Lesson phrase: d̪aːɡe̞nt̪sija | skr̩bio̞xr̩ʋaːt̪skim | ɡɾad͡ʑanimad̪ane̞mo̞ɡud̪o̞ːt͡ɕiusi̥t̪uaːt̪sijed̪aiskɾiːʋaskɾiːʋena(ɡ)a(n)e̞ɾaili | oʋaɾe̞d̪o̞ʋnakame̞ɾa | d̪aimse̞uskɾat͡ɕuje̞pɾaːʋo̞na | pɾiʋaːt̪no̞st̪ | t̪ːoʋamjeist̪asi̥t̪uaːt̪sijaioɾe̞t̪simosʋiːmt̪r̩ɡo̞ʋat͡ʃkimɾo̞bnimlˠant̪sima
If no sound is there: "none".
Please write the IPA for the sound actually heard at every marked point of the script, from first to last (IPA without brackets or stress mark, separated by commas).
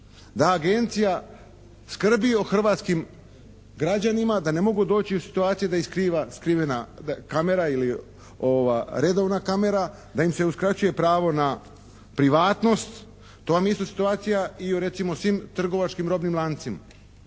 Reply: k, m